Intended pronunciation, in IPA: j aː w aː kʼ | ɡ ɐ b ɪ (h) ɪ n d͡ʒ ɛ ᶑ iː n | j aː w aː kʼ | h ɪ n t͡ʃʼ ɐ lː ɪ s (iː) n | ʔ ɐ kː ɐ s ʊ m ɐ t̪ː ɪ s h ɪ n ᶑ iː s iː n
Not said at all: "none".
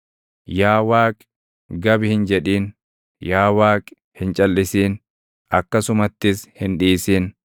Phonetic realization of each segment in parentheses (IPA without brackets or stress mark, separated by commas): h, iː